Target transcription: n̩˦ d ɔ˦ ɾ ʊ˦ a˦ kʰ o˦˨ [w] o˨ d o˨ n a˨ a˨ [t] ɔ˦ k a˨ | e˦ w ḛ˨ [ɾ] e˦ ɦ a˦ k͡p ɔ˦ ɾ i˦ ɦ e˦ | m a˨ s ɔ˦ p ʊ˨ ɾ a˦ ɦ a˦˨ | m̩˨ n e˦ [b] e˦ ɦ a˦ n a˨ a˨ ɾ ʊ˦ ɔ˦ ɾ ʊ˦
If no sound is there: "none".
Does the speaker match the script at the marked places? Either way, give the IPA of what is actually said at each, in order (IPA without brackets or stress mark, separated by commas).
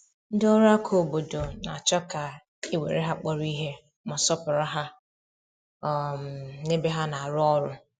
b, t͡ʃ, ɾ, b